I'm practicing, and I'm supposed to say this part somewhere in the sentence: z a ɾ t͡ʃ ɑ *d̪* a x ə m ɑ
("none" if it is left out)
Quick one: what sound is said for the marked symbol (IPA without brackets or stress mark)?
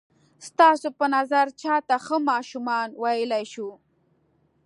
t̪